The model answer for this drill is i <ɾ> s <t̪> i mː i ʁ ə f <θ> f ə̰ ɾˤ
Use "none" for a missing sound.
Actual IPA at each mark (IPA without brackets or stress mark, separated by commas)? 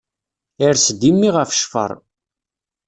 ɾ, d̪, ʃ